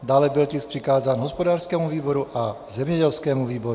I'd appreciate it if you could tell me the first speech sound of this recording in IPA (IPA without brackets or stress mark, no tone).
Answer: d̪